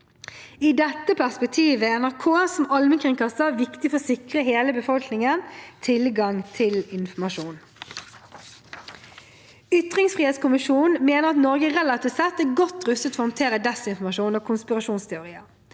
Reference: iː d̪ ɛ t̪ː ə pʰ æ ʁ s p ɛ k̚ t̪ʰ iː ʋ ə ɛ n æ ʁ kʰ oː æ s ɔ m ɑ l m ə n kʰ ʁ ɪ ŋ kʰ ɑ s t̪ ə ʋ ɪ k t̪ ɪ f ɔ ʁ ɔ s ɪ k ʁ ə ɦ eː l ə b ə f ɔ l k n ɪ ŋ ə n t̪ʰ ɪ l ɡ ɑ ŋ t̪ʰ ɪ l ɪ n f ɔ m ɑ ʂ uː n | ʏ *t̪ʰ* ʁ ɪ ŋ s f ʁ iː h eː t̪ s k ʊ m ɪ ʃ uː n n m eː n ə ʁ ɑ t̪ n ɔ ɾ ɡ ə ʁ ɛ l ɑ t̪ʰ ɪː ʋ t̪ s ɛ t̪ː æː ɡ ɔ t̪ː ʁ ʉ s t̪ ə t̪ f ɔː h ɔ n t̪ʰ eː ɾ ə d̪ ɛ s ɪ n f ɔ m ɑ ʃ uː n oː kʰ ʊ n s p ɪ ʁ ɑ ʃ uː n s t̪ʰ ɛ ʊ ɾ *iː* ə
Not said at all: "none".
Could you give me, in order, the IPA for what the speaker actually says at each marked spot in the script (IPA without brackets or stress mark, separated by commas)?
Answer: t̪, iː